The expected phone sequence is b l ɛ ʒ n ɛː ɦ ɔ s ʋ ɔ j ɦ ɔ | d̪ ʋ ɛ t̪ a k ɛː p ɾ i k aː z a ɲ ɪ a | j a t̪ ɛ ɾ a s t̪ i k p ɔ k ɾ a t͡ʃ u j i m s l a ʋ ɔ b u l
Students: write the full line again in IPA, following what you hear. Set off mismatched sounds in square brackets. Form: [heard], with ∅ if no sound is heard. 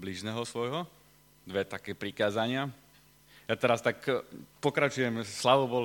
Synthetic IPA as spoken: b l [i] ʒ n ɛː ɦ ɔ s ʋ ɔ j ɦ ɔ | d̪ ʋ ɛ t̪ a k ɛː p ɾ i k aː z a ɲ ɪ a | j a t̪ ɛ ɾ a s t̪ [a] k p ɔ k ɾ a t͡ʃ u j [ɛ] m s l a ʋ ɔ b [ɔ] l